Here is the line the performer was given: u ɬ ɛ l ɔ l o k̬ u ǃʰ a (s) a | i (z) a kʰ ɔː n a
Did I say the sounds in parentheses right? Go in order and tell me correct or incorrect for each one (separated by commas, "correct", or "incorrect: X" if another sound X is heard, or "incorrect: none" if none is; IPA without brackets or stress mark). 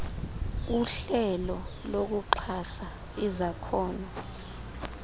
correct, correct